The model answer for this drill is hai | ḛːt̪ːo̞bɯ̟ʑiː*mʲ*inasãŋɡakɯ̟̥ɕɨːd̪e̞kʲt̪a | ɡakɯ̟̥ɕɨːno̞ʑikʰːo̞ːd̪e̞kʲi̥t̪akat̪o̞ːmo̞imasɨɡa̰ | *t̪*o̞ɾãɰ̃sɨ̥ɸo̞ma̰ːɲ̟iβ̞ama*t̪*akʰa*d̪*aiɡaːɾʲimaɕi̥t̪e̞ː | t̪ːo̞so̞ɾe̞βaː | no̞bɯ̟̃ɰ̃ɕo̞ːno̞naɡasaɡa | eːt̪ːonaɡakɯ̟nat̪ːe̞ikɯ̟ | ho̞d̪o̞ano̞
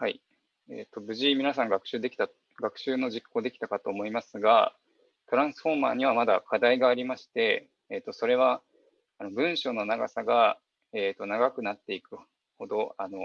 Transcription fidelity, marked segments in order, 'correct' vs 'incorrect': correct, correct, incorrect, correct

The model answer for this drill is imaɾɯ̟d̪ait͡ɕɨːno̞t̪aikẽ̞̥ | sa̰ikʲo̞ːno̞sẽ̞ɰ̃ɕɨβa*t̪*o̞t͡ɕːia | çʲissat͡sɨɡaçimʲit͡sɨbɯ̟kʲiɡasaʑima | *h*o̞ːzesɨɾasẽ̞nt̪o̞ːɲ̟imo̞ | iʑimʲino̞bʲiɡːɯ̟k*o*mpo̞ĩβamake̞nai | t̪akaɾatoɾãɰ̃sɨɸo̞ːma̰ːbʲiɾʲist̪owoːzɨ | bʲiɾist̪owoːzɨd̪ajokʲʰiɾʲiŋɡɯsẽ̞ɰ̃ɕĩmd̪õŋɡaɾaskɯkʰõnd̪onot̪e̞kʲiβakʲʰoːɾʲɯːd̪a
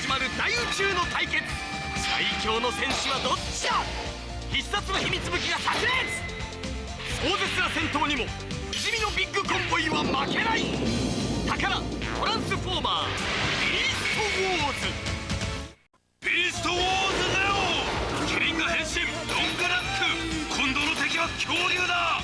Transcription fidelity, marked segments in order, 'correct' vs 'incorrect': incorrect, incorrect, incorrect

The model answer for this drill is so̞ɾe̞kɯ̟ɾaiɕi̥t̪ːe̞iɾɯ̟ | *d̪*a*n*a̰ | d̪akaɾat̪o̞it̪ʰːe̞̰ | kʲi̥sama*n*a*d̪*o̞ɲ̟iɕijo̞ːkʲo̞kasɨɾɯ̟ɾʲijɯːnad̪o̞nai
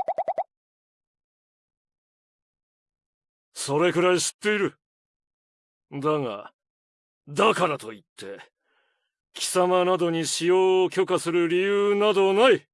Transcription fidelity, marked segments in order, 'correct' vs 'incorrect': correct, incorrect, correct, correct

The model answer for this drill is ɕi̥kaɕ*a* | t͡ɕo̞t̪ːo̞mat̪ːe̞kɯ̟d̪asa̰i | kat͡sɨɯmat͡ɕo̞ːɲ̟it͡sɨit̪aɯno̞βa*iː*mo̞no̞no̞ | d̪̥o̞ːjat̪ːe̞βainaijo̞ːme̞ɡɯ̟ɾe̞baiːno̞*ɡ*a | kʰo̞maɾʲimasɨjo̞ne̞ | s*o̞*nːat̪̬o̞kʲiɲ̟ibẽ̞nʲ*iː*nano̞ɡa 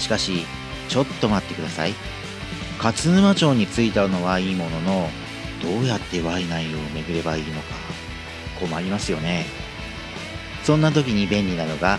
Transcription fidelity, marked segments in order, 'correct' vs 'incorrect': incorrect, correct, incorrect, incorrect, incorrect

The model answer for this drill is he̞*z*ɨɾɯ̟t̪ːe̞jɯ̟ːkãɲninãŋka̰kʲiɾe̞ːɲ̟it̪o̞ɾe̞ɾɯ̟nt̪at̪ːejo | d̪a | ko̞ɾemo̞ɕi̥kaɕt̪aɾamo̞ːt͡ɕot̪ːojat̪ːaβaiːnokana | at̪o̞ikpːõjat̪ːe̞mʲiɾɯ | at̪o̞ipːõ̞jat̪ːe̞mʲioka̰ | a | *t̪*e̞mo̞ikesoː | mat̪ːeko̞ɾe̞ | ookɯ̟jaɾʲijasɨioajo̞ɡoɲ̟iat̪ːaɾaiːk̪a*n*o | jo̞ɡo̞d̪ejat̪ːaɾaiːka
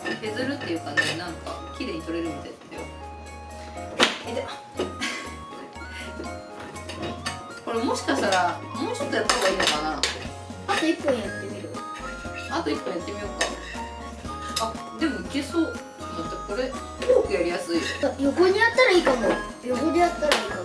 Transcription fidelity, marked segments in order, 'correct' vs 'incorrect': correct, incorrect, incorrect

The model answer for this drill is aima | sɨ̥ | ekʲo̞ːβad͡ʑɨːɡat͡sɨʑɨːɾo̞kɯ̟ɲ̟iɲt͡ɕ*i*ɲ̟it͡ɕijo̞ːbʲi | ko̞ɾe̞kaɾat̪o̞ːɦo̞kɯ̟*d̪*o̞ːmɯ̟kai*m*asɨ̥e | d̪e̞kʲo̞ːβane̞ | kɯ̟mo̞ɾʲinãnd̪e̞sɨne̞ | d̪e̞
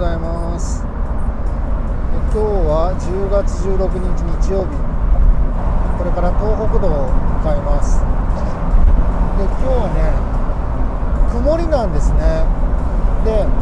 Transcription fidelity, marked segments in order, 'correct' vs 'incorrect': correct, correct, correct

